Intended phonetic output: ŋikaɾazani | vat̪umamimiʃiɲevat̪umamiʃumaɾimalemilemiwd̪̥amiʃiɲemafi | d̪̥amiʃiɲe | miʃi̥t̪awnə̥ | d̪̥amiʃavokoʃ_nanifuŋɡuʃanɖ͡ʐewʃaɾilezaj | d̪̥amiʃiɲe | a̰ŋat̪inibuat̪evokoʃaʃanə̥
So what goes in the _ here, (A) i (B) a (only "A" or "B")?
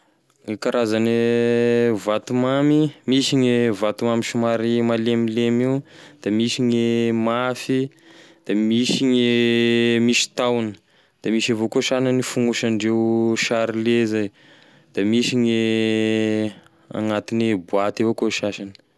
B